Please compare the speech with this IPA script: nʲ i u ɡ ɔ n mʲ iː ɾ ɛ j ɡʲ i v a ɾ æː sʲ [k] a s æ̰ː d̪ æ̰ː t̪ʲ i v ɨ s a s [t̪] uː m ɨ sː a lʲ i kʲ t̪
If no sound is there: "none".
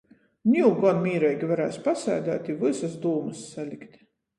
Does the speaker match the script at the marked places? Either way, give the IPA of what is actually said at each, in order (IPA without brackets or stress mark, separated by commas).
p, d̪